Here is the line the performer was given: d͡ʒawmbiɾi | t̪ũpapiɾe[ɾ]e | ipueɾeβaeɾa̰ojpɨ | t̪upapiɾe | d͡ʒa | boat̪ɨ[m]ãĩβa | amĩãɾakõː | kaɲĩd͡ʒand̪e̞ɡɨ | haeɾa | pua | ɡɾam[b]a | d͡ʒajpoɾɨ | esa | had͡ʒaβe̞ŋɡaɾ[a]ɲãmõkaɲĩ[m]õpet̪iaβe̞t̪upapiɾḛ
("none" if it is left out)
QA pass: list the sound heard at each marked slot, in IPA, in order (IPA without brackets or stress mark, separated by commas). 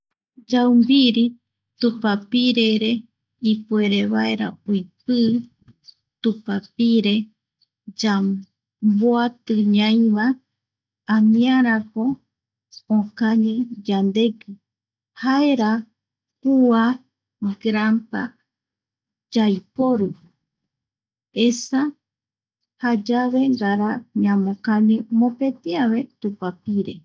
ɾ, ɲ, p, a, m